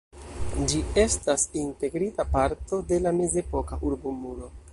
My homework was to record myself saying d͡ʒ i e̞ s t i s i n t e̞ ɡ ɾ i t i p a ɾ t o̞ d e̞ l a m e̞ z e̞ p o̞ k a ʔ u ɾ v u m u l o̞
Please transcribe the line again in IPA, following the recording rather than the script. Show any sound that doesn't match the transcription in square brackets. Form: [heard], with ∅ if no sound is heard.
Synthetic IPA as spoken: d͡ʒ i e̞ s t [a] s i n t e̞ ɡ ɾ i t [a] p a ɾ t o̞ d e̞ l a m e̞ z e̞ p o̞ k a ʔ u ɾ [b] u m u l o̞